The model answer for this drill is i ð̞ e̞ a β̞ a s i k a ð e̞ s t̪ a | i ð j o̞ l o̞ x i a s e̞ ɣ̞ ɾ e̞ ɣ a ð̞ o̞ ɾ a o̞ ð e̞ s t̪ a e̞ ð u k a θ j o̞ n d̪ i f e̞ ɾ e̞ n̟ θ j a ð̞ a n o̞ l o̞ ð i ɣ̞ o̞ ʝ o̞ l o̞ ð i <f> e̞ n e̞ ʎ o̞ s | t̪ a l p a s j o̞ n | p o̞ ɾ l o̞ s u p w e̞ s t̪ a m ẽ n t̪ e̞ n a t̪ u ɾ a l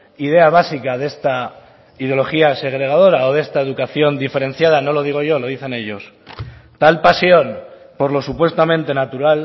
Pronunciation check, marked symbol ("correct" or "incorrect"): incorrect